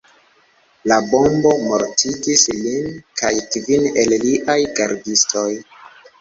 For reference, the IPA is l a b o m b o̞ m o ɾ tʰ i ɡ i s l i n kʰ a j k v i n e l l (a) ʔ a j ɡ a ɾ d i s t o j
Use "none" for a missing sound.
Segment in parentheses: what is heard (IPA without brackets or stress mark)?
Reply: i